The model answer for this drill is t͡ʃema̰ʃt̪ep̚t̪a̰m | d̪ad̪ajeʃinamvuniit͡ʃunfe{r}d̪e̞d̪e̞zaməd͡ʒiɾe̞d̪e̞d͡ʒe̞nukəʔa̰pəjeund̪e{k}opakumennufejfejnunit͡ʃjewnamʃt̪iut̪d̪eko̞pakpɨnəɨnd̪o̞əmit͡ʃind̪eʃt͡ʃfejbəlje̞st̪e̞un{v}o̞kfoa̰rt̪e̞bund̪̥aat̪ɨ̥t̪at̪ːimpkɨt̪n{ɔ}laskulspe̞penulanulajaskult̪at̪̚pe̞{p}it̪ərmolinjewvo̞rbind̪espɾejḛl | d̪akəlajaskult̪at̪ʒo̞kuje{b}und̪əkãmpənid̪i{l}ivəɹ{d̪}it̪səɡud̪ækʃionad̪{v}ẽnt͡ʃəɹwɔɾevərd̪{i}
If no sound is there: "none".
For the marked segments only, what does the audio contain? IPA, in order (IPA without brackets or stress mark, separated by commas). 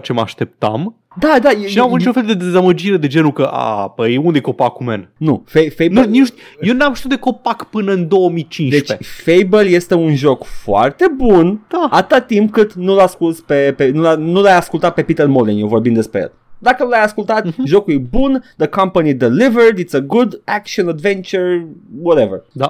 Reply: l, k, ʒ, u, p, b, l, d̪, v, a